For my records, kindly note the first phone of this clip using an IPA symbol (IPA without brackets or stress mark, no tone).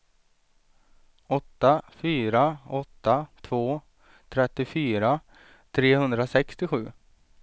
ɔ